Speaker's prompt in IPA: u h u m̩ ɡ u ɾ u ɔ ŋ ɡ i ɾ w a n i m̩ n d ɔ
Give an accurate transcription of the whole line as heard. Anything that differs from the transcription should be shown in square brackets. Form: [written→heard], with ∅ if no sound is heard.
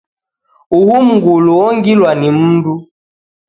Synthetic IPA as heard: u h u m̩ ɡ u [ɾ→l] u ɔ ŋ ɡ i [ɾ→l] w a n i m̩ n d [ɔ→u]